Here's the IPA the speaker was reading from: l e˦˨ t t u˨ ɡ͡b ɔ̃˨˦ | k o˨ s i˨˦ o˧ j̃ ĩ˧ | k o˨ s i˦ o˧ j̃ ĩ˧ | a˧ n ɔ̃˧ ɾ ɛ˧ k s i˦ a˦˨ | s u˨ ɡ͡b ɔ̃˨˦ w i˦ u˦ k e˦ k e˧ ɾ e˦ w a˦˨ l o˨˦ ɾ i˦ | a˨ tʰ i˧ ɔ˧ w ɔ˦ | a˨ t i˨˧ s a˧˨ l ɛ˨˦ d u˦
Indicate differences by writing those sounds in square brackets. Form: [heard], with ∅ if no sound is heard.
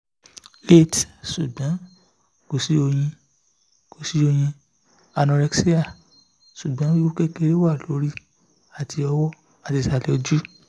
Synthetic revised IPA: l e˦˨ t [s] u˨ ɡ͡b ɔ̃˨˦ | k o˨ s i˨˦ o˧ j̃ ĩ˧ | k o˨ s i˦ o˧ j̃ ĩ˧ | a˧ n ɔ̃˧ ɾ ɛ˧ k s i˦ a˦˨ | s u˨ ɡ͡b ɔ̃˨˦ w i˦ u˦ k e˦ k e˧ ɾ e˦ w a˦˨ l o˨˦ ɾ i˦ | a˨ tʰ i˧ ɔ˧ w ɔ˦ | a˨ t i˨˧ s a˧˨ l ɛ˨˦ [d͡ʒ] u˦